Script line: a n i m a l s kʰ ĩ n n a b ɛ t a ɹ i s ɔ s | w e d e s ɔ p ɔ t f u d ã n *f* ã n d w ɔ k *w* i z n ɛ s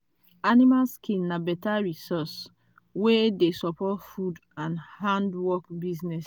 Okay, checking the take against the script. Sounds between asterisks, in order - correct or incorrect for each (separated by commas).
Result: incorrect, incorrect